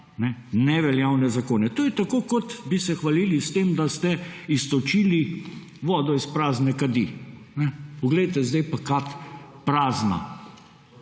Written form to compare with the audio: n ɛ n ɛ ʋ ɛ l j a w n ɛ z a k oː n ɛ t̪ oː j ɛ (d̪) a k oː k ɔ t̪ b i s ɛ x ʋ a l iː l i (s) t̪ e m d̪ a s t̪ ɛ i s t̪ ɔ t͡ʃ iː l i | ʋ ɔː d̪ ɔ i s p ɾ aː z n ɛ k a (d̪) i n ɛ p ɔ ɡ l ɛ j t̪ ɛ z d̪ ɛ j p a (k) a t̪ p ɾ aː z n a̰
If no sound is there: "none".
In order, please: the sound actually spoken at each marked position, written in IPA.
t̪, s, d̪, k

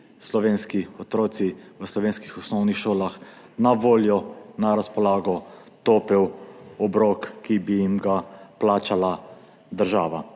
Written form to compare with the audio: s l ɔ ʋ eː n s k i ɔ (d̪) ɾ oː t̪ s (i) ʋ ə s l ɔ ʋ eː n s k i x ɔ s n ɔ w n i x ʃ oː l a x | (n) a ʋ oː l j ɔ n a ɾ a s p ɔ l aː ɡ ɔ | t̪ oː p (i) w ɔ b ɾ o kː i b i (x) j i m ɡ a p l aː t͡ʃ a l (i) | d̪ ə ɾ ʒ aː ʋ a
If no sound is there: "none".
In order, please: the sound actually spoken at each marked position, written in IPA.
t̪, i, n, ɛ, none, a

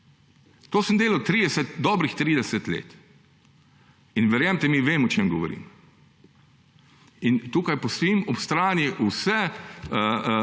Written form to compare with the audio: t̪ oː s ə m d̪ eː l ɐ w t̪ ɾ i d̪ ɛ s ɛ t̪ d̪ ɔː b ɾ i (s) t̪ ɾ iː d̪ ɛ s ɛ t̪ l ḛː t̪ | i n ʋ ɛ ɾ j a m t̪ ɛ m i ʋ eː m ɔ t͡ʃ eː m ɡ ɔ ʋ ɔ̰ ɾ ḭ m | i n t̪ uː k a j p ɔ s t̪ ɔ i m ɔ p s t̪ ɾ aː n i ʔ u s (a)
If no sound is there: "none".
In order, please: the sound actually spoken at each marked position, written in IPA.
x, ɛ

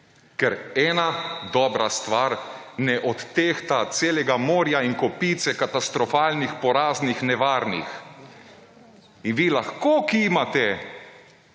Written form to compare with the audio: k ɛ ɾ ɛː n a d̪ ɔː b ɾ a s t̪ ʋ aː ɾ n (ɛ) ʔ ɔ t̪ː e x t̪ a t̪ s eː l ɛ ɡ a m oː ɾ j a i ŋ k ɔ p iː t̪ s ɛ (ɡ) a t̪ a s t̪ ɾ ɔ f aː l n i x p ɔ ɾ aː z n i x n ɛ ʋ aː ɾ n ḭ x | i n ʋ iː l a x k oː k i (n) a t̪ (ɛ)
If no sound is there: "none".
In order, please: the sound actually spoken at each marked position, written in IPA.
ɛ, k, m, ɛ

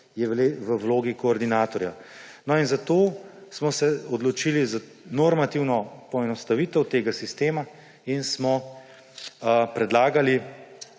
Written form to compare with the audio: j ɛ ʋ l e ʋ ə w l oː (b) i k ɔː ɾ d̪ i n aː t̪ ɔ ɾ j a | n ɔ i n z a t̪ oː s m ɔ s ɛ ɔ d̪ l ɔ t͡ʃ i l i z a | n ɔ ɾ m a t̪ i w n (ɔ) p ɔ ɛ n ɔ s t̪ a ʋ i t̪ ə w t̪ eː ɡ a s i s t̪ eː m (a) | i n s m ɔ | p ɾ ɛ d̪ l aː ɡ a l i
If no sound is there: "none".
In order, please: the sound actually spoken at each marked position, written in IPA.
ɡ, ɔ, a

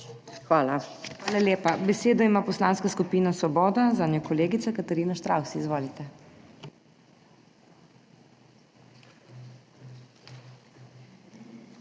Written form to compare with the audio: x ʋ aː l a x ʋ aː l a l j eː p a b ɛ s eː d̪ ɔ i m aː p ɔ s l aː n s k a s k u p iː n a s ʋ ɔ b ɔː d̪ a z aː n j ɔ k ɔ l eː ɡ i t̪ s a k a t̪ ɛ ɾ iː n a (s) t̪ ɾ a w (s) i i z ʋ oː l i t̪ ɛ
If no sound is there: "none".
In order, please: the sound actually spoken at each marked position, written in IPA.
ʃ, s

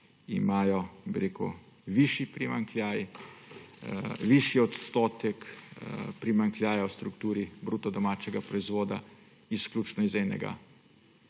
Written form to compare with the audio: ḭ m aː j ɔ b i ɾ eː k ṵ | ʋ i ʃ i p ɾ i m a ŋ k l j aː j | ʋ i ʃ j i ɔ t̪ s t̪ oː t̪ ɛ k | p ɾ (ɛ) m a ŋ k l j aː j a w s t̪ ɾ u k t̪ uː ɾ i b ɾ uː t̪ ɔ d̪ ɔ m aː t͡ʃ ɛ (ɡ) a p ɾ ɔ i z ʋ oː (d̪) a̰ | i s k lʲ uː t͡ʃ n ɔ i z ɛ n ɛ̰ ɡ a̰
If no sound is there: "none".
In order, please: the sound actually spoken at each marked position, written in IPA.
i, ɡ, d̪

